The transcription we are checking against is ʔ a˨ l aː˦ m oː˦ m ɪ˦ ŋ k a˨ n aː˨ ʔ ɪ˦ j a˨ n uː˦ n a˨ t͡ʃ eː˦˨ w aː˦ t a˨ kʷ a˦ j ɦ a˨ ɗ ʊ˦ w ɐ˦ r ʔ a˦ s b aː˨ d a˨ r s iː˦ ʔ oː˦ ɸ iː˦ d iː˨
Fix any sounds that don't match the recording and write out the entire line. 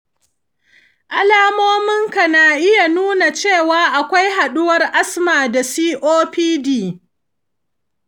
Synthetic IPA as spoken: ʔ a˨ l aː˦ m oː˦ m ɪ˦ ŋ k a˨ n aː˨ ʔ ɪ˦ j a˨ n uː˦ n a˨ t͡ʃ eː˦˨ w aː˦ ʔ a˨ kʷ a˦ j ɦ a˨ ɗ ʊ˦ w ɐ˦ r ʔ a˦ s m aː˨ d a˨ s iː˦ ʔ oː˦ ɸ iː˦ d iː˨